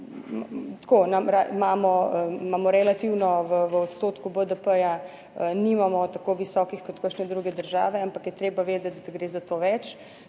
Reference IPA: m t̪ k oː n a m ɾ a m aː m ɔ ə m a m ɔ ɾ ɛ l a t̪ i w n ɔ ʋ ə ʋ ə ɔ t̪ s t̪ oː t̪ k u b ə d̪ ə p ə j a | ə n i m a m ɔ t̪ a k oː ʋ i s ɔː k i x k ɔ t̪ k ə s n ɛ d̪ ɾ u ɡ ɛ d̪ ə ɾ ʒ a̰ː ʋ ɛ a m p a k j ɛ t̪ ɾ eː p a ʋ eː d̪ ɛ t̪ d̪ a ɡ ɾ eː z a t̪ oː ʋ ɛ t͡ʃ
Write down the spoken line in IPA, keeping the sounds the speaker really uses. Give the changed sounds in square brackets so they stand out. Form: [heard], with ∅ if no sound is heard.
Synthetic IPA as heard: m t̪ k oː n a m ɾ a m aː m ɔ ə m a m ɔ ɾ ɛ l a t̪ i w n ɔ ʋ ə ʋ ə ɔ t̪ s t̪ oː t̪ k u b ə d̪ ə p ə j a | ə n i m a m ɔ t̪ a k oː ʋ i s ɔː k i x k ɔ t̪ k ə [ʃ] n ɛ d̪ ɾ u ɡ ɛ d̪ ə ɾ ʒ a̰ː ʋ ɛ a m p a k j ɛ t̪ ɾ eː [b] a ʋ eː d̪ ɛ t̪ d̪ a ɡ ɾ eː z a t̪ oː ʋ ɛ t͡ʃ